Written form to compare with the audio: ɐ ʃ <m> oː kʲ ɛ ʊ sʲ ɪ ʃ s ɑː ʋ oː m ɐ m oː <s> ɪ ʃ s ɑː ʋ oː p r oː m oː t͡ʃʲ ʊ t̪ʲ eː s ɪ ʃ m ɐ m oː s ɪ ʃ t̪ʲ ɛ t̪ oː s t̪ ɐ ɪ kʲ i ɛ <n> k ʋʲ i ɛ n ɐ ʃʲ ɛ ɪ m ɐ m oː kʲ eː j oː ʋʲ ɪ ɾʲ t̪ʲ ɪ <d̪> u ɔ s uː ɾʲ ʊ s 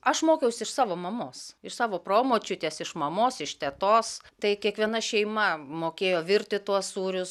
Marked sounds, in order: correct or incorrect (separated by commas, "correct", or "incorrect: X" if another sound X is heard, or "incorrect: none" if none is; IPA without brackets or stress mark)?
correct, correct, incorrect: none, incorrect: t̪